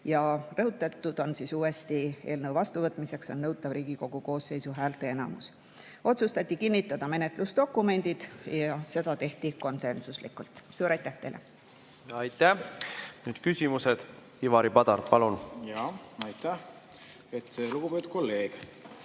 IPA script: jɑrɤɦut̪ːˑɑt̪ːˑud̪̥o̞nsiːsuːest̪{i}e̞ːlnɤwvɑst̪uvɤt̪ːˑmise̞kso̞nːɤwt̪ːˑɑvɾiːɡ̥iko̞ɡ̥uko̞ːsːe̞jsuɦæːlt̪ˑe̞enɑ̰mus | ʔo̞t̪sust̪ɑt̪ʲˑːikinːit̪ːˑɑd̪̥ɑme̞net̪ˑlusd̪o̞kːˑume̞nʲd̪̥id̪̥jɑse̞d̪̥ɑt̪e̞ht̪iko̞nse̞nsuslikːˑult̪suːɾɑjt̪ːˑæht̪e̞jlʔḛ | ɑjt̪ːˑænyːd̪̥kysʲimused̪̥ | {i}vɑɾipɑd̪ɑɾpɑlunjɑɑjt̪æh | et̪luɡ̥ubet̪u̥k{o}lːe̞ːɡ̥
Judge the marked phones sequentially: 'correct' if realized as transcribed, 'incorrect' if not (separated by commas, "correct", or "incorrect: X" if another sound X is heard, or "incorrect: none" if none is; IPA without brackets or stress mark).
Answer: correct, correct, correct